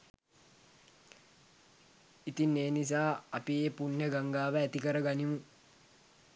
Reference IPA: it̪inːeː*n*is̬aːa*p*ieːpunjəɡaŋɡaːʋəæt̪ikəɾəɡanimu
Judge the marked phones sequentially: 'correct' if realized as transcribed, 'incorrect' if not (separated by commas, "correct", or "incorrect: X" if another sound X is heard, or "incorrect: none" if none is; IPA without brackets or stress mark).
correct, correct